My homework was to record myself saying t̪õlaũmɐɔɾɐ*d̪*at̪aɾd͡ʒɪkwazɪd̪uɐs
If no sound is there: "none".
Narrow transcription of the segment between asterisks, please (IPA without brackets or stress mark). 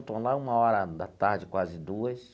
d̪